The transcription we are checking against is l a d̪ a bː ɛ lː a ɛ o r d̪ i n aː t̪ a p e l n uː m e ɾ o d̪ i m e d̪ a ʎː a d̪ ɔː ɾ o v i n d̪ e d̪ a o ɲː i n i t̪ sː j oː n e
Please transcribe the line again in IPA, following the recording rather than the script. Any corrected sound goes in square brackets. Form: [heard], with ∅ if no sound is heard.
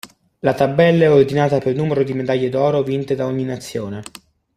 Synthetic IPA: l a [t̪] a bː ɛ lː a ɛ o r d̪ i n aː t̪ a p e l n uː m e ɾ o d̪ i m e d̪ a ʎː [e] d̪ ɔː ɾ o v i n [t̪] e d̪ a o ɲː i n [a] t̪ sː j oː n e